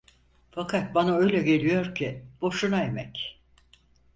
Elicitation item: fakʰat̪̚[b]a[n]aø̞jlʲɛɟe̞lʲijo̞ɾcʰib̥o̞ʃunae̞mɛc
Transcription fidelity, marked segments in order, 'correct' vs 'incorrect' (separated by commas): correct, correct